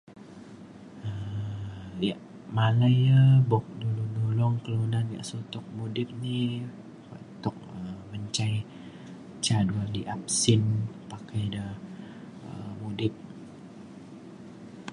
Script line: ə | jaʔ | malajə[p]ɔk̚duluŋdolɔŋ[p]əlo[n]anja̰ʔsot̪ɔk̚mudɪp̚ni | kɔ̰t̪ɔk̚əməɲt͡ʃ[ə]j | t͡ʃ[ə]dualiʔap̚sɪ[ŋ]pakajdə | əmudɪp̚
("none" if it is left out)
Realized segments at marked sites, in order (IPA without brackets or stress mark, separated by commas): b, k, n, a, a, n